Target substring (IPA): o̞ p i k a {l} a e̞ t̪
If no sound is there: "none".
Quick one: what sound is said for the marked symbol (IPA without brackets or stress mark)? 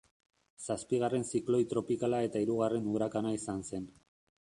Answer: l